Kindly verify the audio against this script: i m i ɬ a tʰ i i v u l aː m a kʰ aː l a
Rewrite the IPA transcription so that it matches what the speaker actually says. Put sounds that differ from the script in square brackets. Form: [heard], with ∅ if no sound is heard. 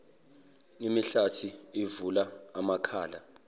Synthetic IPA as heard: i m i ɬ a tʰ i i v u l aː m a kʰ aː l a